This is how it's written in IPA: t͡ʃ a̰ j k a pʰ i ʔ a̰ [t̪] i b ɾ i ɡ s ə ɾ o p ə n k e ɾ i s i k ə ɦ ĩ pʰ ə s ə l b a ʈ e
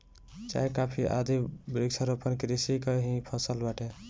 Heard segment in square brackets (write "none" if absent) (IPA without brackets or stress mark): d̪